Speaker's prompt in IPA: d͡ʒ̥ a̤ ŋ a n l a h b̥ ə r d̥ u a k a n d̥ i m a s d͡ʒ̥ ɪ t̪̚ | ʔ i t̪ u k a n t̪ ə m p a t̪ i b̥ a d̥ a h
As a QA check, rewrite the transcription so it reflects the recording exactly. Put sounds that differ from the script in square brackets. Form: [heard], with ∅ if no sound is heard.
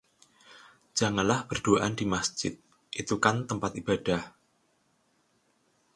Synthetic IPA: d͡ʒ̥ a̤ ŋ a n l a h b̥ ə r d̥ u a [ʔ] a n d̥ i m a s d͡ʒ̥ ɪ t̪̚ | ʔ i t̪ u k a n t̪ ə m p a t̪ i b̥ a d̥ a h

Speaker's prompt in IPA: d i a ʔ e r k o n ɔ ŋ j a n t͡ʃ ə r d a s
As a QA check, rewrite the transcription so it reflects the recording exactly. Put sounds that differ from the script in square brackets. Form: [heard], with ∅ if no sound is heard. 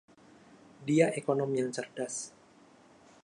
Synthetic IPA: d i a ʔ e [∅] k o n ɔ [m] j a [ŋ] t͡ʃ ə r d a s

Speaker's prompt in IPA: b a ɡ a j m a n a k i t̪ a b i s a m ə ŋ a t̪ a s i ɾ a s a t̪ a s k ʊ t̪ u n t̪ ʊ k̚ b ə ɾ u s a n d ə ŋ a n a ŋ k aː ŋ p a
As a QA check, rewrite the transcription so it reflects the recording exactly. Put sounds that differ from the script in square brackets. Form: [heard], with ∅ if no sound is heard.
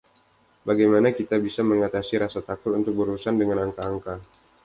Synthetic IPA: b a ɡ a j m a n a k i t̪ a b i s a m ə ŋ a t̪ a s i ɾ a s a t̪ a [∅] k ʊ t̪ u n t̪ ʊ k̚ b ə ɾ u s a n d ə ŋ a n a ŋ k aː ŋ [k] a

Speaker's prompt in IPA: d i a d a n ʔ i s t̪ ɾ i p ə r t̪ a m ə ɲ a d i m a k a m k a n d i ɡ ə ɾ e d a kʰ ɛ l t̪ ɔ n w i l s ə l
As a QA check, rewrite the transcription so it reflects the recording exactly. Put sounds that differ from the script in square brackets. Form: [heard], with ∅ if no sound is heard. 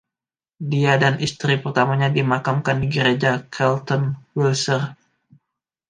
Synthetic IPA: d i a d a n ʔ i s t̪ ɾ i p ə r t̪ a m [a] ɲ a d i m a k a m k a n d i ɡ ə ɾ e [d͡ʒ] a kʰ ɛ l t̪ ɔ n w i l s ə [r]

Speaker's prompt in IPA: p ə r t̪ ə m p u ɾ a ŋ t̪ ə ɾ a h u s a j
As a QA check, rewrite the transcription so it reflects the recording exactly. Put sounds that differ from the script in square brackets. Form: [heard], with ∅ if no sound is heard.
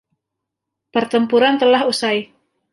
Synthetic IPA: p ə r t̪ ə m p u ɾ a [n] t̪ ə [l] a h u s a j

